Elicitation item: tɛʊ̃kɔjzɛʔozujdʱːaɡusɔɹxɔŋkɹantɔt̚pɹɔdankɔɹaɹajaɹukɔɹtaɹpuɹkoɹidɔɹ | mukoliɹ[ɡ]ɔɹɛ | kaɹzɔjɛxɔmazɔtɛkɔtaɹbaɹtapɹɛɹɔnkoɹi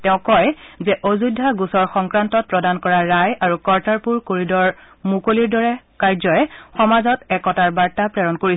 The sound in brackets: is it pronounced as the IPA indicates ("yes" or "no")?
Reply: no